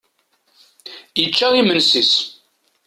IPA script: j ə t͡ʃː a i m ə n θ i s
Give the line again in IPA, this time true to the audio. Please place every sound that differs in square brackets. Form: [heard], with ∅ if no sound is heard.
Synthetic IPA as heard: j ə t͡ʃː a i m ə n [s] i s